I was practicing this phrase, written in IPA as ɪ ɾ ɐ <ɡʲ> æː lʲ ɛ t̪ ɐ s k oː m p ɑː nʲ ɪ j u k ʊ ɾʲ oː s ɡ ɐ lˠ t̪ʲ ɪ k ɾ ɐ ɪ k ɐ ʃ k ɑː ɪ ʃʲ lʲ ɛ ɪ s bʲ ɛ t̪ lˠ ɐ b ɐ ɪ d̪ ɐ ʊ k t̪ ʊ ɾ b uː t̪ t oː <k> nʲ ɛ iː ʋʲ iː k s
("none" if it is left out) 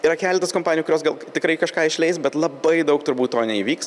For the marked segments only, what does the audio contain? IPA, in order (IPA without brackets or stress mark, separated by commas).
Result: kʲ, none